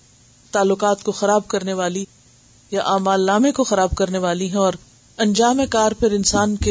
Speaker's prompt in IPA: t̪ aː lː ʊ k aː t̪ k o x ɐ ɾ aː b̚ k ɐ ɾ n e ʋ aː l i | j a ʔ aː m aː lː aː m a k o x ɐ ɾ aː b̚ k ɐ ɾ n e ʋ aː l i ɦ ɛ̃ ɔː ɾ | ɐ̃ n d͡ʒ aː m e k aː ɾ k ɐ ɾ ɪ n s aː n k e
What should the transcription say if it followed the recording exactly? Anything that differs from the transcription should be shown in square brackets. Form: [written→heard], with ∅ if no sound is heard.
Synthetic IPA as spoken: t̪ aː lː ʊ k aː t̪ k o x ɐ ɾ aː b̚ k ɐ ɾ n e ʋ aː l i | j a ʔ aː m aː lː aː m [a→e] k o x ɐ ɾ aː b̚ k ɐ ɾ n e ʋ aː l i ɦ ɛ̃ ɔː ɾ | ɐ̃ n d͡ʒ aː m e k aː ɾ [k→p] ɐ ɾ ɪ n s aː n k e